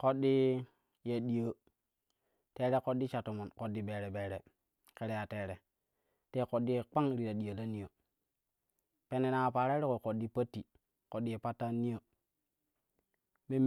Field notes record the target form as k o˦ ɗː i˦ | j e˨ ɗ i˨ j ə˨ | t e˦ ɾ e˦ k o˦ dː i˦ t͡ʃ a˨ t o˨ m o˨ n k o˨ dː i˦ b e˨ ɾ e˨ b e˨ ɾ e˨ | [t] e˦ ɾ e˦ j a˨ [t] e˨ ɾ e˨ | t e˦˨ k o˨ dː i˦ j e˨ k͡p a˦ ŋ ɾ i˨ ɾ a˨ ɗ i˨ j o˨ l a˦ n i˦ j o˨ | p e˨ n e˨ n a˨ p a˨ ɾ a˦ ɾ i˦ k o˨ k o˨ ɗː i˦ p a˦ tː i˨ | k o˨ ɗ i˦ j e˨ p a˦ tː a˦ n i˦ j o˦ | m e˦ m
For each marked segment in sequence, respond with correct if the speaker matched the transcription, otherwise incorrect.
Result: incorrect, correct

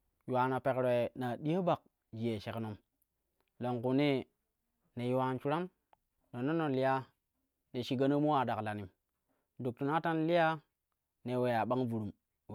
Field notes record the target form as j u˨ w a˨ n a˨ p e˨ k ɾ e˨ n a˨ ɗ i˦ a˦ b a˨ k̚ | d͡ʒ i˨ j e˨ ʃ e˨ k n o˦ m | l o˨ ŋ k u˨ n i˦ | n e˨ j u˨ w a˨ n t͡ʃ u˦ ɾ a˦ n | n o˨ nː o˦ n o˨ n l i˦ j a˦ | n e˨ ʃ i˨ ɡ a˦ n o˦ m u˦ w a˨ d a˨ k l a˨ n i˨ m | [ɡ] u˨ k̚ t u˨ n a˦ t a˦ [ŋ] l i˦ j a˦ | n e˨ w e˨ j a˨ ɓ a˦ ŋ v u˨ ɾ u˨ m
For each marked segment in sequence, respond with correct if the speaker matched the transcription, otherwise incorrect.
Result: incorrect, incorrect

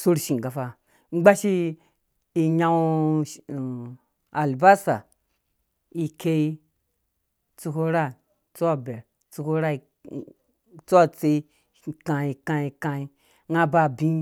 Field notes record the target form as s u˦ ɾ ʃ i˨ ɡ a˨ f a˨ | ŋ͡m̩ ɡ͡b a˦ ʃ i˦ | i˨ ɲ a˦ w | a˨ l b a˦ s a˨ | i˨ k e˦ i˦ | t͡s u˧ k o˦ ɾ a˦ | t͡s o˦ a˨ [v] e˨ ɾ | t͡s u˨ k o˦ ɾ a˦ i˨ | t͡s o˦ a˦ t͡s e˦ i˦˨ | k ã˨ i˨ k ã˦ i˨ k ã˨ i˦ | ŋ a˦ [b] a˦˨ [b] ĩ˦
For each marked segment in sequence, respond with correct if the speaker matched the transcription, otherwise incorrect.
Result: incorrect, correct, correct

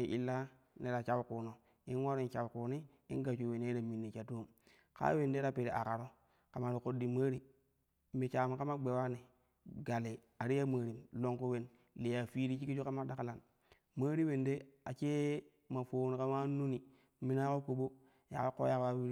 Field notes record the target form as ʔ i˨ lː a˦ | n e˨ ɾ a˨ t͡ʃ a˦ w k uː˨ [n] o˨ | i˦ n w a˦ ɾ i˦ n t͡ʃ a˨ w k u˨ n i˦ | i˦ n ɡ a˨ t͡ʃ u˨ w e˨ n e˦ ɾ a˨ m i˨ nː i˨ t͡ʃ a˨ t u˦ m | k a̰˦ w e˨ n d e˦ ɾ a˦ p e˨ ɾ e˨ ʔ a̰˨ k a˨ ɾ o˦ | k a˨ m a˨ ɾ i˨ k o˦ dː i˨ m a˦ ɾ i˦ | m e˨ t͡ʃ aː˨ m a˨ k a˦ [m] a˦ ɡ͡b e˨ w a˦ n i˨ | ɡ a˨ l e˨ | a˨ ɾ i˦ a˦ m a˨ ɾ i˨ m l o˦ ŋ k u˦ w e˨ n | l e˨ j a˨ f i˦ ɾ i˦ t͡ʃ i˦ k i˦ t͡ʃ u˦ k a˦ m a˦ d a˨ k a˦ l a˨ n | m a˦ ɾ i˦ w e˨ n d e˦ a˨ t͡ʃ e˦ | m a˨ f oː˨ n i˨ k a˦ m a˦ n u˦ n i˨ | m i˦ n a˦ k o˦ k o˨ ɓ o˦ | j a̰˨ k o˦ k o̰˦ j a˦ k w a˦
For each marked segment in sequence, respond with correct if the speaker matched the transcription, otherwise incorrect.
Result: correct, correct

